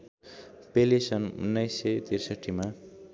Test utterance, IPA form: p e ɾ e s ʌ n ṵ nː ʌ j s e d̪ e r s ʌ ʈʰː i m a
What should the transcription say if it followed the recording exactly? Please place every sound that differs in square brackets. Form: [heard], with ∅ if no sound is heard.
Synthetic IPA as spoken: p e [l] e s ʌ n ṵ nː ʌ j s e [t̪] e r s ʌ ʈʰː i m a

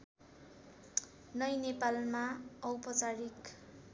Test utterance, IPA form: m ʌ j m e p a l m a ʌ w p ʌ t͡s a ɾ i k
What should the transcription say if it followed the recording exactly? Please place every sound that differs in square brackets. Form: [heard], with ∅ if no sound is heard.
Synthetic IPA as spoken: [n] ʌ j [n] e p a l m a ʌ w p ʌ t͡s a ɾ i k

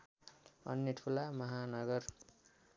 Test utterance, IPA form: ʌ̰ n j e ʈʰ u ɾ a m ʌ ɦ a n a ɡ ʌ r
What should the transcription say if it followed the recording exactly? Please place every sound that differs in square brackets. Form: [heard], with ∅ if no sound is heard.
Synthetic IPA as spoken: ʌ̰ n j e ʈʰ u [l] a m ʌ ɦ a n [ʌ] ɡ ʌ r

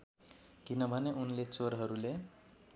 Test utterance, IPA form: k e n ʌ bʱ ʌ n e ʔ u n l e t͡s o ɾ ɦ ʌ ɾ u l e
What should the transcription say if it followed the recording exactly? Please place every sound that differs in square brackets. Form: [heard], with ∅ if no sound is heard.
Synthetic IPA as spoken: k [i] n ʌ bʱ ʌ n e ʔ u n l e t͡s o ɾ ɦ ʌ ɾ u l e

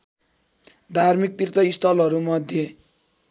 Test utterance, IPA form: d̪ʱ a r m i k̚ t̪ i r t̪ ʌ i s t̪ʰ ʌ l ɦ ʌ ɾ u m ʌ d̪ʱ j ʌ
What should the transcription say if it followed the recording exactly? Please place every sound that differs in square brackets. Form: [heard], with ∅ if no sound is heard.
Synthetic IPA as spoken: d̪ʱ a r m i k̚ t̪ i r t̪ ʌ i s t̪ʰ ʌ l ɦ ʌ ɾ u m ʌ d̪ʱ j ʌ

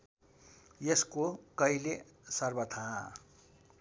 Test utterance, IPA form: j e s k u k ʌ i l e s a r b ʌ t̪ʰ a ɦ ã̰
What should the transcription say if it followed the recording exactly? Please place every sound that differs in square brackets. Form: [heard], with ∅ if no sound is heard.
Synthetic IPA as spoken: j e s k [o] k ʌ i l e s [ʌ] r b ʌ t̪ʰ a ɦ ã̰

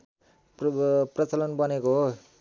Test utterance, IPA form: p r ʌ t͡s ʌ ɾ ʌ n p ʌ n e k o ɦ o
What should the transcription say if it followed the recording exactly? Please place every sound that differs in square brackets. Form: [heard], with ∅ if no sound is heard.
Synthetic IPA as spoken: p r ʌ t͡s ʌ [l] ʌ n [b] ʌ n e k o ɦ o

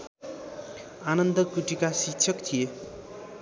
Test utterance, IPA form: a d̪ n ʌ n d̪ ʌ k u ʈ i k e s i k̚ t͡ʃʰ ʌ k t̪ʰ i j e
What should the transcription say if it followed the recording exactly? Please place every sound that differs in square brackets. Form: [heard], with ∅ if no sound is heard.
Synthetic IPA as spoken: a [∅] n ʌ n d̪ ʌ k u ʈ i k [a] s i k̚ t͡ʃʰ ʌ k t̪ʰ i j e

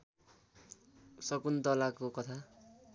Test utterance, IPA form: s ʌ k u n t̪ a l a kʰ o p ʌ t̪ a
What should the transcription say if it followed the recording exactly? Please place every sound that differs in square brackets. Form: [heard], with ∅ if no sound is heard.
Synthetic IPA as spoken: s ʌ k u n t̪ [ʌ] l a [k] o [k] ʌ [t̪ʰ] a

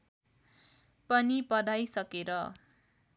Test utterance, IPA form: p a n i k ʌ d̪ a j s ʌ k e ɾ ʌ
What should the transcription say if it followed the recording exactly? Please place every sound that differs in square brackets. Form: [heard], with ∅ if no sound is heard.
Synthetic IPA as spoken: p [ʌ] n i [p] ʌ d̪ a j s ʌ k e ɾ ʌ

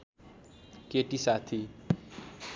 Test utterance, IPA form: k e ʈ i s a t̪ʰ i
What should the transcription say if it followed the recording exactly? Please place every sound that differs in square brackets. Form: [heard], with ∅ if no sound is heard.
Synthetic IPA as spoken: k e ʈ i s a t̪ʰ i

